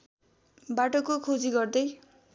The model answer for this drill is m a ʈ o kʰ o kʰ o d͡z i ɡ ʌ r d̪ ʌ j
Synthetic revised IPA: b a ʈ o k o kʰ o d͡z i ɡ ʌ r d̪ ʌ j

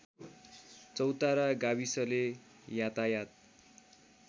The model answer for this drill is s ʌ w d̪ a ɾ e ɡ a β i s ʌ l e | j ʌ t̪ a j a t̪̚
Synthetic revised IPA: t͡s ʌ w t̪ a ɾ a ɡ a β i s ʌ l e | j a t̪ a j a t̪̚

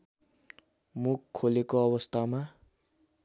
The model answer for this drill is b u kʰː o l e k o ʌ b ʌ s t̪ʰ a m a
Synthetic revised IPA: m u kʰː o l e k o ʌ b ʌ s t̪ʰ a m a

